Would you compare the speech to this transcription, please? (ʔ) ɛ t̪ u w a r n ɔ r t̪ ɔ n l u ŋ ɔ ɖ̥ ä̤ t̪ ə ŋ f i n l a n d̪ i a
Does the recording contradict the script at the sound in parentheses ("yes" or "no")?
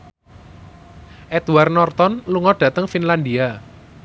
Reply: no